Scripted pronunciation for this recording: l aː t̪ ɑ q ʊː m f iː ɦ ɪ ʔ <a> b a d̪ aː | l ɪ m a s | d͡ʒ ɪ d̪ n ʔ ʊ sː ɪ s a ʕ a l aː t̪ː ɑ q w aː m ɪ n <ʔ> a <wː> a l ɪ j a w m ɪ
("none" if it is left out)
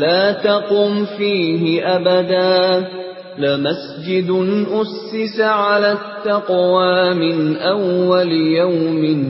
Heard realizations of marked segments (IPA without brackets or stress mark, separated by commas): a, ʔ, wː